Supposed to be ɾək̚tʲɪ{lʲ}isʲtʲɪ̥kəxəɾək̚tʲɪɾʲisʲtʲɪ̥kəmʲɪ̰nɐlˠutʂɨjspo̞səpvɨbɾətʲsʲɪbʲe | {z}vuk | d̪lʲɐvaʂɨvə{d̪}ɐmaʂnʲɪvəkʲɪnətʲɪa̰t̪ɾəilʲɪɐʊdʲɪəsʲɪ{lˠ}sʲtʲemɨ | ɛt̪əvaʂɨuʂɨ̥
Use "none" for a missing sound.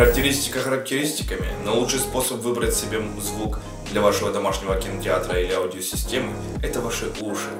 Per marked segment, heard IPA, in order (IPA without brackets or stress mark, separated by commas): ɾʲ, z, d̪, none